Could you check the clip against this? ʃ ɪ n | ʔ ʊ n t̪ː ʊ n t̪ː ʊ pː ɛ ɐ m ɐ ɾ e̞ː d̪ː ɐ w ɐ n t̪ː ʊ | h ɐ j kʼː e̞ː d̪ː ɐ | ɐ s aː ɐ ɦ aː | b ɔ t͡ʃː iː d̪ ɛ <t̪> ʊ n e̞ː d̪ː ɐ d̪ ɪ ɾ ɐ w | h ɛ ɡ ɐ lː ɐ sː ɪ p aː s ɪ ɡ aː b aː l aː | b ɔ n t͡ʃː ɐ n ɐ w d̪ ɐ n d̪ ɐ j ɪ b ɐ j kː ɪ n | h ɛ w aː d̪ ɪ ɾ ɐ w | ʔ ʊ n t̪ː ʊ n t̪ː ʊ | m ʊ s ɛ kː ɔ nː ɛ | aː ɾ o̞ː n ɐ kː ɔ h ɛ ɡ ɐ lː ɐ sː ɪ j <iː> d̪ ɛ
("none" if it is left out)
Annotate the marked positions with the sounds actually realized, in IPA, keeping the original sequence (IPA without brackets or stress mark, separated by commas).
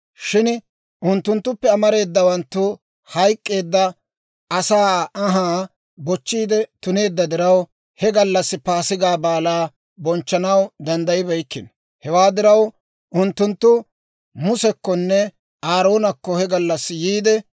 t̪, iː